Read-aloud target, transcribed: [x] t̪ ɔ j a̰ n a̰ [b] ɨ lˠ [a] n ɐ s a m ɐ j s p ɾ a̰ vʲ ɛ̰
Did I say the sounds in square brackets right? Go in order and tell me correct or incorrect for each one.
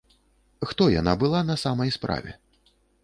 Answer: correct, correct, correct

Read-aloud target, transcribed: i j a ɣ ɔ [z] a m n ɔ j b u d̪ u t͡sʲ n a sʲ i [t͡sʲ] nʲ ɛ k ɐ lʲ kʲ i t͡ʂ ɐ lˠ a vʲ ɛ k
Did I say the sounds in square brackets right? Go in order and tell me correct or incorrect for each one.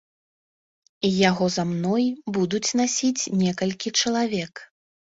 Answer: correct, correct

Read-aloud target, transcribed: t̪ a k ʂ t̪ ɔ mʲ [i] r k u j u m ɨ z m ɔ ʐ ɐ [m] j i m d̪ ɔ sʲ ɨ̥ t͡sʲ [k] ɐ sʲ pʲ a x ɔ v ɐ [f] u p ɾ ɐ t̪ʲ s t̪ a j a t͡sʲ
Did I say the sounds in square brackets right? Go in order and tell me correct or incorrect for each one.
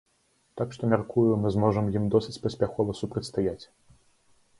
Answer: incorrect: a, correct, incorrect: p, incorrect: s

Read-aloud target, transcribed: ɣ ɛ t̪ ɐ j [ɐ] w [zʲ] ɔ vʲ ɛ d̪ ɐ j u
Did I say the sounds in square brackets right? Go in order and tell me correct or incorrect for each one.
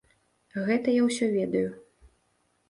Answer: incorrect: a, incorrect: sʲ

